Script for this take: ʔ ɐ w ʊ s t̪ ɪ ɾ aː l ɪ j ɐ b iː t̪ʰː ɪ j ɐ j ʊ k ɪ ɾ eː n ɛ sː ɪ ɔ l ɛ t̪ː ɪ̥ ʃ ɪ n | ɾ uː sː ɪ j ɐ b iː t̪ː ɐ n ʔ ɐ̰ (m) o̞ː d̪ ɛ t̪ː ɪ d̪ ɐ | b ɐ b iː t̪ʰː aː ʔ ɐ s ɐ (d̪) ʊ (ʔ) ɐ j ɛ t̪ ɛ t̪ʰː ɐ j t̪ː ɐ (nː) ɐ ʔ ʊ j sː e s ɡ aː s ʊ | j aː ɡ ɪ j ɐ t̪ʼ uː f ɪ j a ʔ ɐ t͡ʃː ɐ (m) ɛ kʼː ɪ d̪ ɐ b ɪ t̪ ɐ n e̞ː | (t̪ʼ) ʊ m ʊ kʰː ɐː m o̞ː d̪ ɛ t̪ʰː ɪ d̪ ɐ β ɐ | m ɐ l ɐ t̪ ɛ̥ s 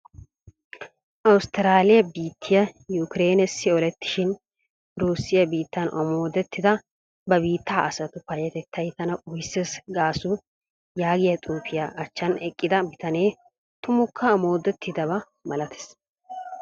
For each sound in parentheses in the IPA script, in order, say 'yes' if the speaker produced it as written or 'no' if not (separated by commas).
yes, no, no, no, no, no